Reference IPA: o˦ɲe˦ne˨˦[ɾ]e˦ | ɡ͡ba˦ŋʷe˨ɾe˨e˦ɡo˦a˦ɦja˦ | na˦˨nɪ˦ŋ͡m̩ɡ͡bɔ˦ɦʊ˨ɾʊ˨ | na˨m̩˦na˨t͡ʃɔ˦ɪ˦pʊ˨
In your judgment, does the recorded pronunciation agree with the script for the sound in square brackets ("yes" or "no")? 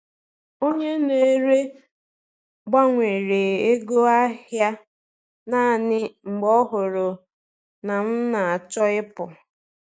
yes